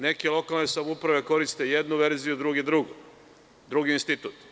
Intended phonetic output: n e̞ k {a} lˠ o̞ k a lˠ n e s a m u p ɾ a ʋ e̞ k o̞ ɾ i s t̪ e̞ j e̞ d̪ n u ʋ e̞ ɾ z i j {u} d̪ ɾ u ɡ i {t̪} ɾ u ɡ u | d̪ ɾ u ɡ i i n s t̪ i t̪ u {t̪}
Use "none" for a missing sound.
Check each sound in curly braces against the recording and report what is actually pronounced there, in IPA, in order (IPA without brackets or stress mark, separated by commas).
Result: e, u, d̪, t̪